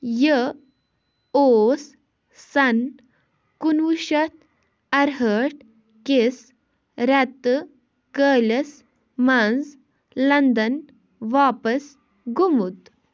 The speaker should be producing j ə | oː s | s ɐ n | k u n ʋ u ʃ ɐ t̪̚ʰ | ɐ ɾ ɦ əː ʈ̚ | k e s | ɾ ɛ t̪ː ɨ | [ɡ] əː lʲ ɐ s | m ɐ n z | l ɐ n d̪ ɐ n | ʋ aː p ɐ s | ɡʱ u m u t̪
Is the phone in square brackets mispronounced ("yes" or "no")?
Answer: yes